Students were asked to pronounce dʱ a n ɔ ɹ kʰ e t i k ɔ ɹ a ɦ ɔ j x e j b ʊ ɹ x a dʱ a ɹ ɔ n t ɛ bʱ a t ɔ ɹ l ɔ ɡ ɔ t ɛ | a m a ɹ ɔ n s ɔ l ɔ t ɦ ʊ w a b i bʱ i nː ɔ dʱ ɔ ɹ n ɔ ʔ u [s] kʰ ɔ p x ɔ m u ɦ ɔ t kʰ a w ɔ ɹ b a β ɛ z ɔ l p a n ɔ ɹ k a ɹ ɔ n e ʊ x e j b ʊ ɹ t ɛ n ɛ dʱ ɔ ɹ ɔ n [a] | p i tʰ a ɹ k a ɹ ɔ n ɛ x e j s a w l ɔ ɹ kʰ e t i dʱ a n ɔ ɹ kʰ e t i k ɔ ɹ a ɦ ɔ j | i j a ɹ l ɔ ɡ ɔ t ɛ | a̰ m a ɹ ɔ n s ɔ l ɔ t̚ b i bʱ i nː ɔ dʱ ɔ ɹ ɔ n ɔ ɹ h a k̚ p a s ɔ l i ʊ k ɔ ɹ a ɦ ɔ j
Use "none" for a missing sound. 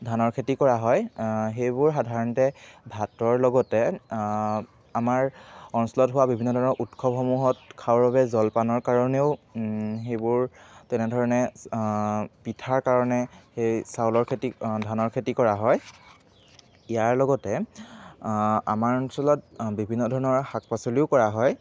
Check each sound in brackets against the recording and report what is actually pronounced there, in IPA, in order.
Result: t, ɛ

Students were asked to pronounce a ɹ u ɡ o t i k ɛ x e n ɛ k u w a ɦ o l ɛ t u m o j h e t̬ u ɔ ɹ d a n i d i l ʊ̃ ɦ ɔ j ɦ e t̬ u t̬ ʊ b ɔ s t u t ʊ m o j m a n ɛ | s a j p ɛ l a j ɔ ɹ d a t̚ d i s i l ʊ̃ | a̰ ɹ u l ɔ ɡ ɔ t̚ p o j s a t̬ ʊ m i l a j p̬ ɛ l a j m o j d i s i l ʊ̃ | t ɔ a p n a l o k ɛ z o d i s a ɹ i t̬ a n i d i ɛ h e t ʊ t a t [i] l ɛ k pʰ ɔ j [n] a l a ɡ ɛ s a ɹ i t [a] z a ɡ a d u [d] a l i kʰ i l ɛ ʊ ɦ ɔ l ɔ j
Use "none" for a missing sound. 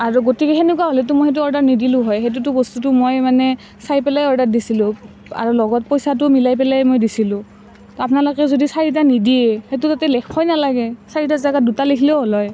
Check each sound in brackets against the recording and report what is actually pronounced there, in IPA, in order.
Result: ɛ, n, a, t

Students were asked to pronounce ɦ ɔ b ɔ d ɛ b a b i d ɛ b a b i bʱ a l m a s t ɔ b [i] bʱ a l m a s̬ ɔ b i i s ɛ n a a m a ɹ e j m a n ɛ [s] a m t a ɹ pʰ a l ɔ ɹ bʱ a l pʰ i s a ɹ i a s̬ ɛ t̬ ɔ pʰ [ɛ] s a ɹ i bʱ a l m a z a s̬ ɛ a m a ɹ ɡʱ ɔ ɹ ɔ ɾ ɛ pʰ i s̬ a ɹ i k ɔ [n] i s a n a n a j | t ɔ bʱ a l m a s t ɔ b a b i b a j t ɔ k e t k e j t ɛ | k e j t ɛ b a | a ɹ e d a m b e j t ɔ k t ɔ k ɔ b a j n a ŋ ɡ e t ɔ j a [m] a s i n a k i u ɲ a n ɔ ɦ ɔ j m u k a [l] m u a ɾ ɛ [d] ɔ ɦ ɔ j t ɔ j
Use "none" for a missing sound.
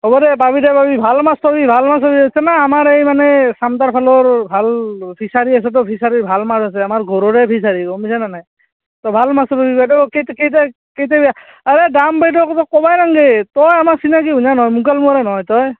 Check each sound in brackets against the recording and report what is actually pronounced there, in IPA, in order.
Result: i, s, i, m, m, l, n

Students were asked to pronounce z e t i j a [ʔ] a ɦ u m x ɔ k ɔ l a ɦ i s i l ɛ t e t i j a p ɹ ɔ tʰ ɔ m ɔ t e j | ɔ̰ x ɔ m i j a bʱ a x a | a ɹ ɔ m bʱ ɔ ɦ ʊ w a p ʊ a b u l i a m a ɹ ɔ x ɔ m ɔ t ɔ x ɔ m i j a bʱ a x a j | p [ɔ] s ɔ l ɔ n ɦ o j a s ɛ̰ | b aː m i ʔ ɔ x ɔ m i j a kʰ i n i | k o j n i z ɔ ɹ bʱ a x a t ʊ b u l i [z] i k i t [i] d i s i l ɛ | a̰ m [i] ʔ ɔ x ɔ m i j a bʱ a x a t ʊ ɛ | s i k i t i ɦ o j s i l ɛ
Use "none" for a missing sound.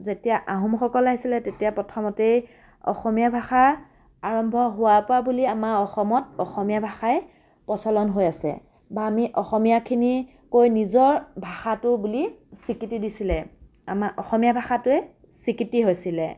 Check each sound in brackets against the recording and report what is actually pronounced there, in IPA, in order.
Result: ʔ, ɔ, s, i, a

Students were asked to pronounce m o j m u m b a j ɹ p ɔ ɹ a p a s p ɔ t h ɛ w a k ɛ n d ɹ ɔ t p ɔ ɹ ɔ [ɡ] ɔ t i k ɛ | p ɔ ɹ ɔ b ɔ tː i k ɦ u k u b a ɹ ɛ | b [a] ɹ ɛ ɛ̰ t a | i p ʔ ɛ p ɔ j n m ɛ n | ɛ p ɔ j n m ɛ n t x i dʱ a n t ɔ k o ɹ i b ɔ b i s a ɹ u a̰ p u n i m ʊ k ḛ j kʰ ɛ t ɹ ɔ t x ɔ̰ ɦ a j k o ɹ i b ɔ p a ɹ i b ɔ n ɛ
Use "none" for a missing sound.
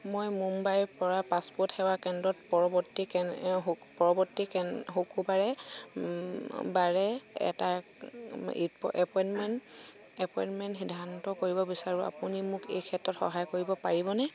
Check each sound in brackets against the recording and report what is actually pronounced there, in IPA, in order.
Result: b, a

